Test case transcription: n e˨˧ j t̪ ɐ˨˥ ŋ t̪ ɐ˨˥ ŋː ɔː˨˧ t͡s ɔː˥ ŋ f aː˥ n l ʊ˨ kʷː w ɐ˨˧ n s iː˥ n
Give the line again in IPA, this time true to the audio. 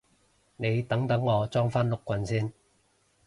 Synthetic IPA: n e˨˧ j t̪ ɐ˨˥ ŋ t̪ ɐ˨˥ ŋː ɔː˨˧ t͡s ɔː˥ ŋ f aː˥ n l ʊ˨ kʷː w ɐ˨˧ n s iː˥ n